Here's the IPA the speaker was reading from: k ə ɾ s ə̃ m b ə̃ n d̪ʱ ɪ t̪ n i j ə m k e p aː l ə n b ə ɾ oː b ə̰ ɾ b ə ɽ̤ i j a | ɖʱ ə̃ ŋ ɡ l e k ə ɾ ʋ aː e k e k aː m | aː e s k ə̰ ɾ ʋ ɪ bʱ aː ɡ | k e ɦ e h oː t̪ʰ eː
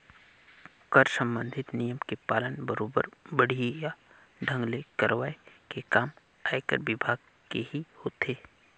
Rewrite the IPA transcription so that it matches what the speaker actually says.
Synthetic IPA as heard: k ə ɾ s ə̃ m b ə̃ n d̪ʱ ɪ t̪ n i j ə m k e p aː l ə n b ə ɾ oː b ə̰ ɾ b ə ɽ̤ i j a | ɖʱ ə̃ ŋ ɡ l e k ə ɾ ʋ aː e k e k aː m | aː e k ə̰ ɾ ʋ ɪ bʱ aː ɡ | k e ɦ i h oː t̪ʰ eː